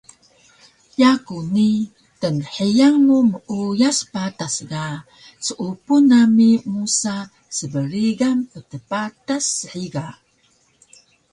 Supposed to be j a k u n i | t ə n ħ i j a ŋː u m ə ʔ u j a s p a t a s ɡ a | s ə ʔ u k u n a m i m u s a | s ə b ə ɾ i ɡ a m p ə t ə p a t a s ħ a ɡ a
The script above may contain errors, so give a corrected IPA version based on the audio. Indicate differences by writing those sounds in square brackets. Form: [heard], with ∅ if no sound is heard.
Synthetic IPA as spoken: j a k u n i | t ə n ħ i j a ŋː u m ə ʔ u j a s p a t a s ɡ a | s ə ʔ u [p] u n a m i m u s a | s ə b ə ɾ i ɡ a m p ə t ə p a t a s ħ [i] ɡ a